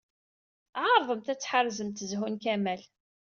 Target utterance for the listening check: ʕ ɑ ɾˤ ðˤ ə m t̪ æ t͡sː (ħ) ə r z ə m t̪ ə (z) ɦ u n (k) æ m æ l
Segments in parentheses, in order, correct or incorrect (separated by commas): correct, correct, correct